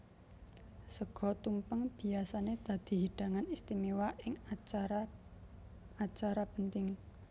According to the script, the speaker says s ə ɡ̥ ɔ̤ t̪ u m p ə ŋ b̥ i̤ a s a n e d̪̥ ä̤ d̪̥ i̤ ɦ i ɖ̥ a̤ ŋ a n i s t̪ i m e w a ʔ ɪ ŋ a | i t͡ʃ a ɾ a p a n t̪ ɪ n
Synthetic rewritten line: s ə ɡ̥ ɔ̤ t̪ u m p ə ŋ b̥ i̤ a s a n e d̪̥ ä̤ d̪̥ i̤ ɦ i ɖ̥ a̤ ŋ a n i s t̪ i m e w a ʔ ɪ ŋ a | a t͡ʃ a ɾ a p ə n t̪ ɪ ŋ